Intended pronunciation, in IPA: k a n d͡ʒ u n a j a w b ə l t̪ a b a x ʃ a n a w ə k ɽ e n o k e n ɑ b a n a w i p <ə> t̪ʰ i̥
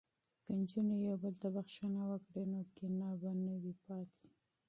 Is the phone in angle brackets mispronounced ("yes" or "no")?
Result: yes